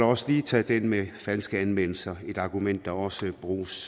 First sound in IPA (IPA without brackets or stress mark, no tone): ɒ̽